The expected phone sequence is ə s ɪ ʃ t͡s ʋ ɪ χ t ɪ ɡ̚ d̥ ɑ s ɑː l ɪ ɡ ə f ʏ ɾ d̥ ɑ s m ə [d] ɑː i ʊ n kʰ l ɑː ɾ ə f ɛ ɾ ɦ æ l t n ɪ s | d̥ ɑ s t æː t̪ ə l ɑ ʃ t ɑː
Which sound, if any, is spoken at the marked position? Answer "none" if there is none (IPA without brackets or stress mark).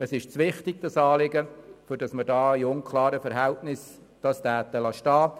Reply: d